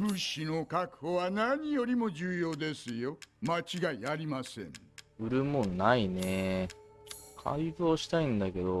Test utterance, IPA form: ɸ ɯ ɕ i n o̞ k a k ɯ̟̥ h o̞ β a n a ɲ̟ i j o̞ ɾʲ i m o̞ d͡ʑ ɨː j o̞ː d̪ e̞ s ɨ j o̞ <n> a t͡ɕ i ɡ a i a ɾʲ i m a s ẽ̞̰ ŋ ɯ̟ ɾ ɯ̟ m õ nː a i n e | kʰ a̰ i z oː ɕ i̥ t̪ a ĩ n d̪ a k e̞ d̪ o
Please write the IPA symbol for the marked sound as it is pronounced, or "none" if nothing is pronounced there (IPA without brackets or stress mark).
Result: m